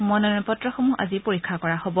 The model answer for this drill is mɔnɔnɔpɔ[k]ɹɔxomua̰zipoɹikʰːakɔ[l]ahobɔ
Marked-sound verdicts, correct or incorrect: incorrect: t, incorrect: ɹ

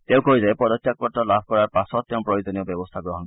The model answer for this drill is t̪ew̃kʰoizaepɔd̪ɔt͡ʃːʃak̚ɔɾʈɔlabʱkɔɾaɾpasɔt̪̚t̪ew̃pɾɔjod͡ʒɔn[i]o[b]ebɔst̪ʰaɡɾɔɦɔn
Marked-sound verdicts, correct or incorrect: correct, correct

